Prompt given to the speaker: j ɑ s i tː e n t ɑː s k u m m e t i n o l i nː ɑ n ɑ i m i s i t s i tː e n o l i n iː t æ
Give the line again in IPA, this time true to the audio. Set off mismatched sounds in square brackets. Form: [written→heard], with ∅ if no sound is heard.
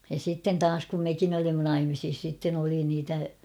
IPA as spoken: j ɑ s i tː e n t ɑː s k u m m e [t→k] i n o l i [nː→mː] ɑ n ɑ i m i s i [t→s] s i tː e n o l i n iː t æ